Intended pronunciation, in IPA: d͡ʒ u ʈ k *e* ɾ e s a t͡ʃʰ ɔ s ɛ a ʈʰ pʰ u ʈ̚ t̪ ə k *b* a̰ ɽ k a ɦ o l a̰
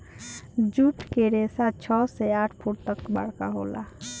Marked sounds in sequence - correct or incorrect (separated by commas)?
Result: correct, correct